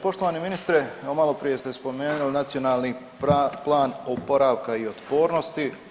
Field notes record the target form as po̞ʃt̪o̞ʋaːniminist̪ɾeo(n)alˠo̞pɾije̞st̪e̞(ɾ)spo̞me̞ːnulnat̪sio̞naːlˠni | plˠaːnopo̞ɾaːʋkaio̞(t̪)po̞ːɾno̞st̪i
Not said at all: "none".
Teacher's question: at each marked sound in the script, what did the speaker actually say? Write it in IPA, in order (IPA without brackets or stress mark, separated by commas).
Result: m, none, t̪